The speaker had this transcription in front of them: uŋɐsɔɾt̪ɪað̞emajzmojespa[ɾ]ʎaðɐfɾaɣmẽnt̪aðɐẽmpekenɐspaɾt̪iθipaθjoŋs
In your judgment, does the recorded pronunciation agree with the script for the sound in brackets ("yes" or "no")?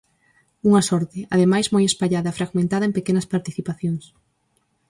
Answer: no